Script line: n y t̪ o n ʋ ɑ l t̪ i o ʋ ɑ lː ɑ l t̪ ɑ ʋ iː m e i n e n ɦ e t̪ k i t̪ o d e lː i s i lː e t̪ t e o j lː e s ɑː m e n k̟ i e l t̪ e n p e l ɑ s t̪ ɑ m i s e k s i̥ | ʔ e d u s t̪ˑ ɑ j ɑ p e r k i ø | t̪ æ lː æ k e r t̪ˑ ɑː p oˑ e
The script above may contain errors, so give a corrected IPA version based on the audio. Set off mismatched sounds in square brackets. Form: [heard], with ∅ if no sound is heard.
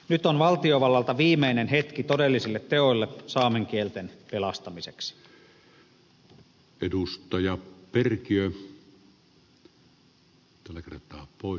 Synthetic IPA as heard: n y t̪ o n ʋ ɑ l t̪ i o ʋ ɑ lː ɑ l t̪ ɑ ʋ iː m e i n e n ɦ e t̪ k i t̪ o d e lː i s i lː e t̪ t e o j lː e s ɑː m e [ŋ] k̟ i e l t̪ e n p e l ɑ s t̪ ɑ m i s e k s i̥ | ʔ e d u s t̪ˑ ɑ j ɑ p e r k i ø | t̪ æ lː æ k e r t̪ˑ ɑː p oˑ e

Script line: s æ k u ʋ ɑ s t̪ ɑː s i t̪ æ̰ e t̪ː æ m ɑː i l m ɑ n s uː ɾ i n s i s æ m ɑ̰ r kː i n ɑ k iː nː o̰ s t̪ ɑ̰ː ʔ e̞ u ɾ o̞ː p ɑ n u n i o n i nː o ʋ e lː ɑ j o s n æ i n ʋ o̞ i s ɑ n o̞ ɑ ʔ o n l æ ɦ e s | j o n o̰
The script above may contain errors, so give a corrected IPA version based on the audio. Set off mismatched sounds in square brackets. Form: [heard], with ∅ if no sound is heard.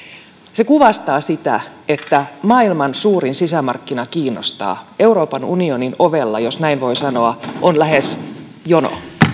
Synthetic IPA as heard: s [e] k u ʋ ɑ s t̪ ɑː s i t̪ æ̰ e t̪ː æ m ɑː i l m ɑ n s uː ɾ i n s i s æ m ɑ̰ r kː i n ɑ k iː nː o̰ s t̪ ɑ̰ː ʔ e̞ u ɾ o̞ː p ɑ n u n i o n i [n] o ʋ e lː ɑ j o s n æ i n ʋ o̞ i s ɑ n o̞ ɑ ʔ o n l æ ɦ e s | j o n o̰

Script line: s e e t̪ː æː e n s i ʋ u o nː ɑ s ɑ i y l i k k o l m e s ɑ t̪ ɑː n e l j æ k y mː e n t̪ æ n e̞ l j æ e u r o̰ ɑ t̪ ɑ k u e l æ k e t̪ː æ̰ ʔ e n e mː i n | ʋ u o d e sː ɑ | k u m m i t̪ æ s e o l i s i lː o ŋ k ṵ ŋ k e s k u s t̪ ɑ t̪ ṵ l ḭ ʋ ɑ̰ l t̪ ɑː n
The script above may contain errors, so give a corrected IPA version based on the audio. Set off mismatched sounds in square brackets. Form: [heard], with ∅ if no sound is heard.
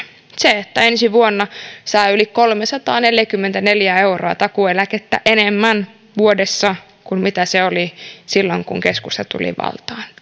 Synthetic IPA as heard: s e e t̪ː [æ] e n s i ʋ u o nː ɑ s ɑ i y l i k k o l m e s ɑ t̪ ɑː n e l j æ k y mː e n t̪ æ n e̞ l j æ e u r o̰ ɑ t̪ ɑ k u e l æ k e t̪ː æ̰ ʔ e n e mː [æ] n | ʋ u o d e sː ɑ | k u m m i t̪ æ s e o l i s i lː o ŋ k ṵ ŋ k e s k u s t̪ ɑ t̪ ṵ l ḭ ʋ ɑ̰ l t̪ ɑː n

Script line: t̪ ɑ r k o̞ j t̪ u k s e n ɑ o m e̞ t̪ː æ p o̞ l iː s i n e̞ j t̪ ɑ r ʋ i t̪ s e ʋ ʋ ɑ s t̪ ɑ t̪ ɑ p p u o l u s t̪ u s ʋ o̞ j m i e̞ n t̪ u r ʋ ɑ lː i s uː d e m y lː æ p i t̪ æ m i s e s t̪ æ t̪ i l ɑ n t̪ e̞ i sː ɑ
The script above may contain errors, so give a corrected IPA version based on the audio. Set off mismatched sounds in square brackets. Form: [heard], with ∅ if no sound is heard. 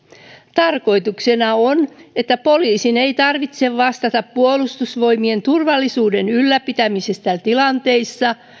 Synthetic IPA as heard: t̪ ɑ r k o̞ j t̪ u k s e n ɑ o [n] e̞ t̪ː æ p o̞ l iː s i n e̞ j t̪ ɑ r ʋ i t̪ s e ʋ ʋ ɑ s t̪ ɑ t̪ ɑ p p u o l u s t̪ u s ʋ o̞ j m i e̞ n t̪ u r ʋ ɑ lː i s uː d e [n] y lː æ p i t̪ æ m i s e s t̪ æ t̪ i l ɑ n t̪ e̞ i sː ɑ

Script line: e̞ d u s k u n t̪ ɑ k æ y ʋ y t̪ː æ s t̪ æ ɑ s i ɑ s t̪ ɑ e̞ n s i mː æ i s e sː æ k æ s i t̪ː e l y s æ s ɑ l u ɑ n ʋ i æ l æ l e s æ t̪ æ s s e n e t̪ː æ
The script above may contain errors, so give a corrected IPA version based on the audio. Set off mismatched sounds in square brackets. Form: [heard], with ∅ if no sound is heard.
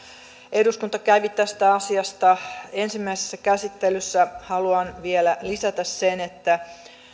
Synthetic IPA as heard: e̞ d u s k u n t̪ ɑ k æ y ʋ [i] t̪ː æ s t̪ æ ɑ s i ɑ s t̪ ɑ e̞ n s i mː æ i s e sː æ k æ s i t̪ː e l y [sː] æ [h] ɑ l u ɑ n ʋ i [e] l æ l [i] s æ t̪ æ s s e n e t̪ː æ

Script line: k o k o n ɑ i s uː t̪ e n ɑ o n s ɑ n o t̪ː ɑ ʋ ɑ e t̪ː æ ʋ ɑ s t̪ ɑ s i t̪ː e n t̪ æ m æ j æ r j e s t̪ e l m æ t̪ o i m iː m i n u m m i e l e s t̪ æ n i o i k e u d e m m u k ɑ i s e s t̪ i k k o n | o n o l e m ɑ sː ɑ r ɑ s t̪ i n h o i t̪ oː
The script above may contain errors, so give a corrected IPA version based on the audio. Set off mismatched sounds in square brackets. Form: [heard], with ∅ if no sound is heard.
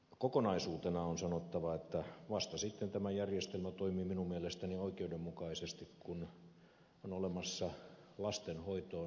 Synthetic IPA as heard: k o k o n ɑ i s uː t̪ e n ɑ o n s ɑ n o t̪ː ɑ ʋ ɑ e t̪ː æ ʋ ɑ s t̪ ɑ s i t̪ː e n t̪ æ m æ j æ r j e s t̪ e l m æ t̪ o i m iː m i n u m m i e l e s t̪ æ n i o i k e u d e m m u k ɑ i s e s t̪ i k k [u] n | o n o l e m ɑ sː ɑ [l] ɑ s t̪ [e] n h o i t̪ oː

